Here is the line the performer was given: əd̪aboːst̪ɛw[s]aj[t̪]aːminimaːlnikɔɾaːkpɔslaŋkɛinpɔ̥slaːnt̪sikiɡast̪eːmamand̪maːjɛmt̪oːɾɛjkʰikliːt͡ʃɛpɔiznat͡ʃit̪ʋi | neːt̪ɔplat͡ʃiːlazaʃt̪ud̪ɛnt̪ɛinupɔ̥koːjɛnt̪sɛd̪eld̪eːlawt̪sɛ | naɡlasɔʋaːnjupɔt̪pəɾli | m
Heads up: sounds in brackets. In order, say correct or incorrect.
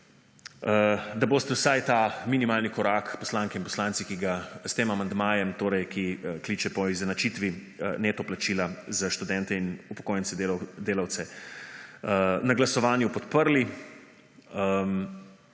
correct, correct

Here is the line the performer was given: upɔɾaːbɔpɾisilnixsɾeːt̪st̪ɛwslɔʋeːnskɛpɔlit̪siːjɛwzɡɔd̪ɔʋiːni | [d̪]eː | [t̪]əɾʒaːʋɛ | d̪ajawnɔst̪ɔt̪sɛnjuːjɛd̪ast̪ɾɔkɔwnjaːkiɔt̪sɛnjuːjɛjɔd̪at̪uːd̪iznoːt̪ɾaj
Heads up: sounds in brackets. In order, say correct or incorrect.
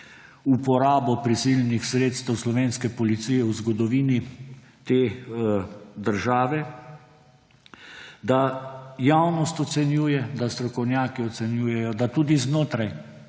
incorrect: t̪, incorrect: d̪

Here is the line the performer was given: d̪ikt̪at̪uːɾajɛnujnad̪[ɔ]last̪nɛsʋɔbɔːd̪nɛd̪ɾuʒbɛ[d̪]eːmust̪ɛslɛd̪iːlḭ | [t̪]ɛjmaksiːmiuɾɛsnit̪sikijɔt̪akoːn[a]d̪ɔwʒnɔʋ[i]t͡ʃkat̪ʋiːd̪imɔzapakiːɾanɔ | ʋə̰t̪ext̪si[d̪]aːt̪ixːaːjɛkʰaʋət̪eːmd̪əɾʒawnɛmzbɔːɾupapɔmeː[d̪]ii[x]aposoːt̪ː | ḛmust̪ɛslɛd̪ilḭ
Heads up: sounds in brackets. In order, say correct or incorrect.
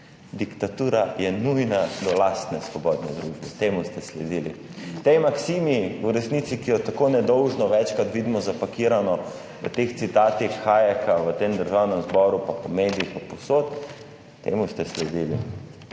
correct, incorrect: t̪, correct, incorrect: ɛ, incorrect: ɛ, incorrect: t̪, correct, correct

